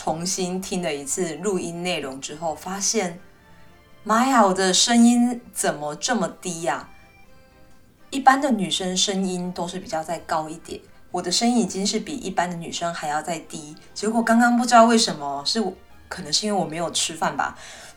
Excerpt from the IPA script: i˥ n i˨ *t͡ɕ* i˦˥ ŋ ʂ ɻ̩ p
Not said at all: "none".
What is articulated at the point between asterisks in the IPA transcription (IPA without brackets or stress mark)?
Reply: t͡ɕ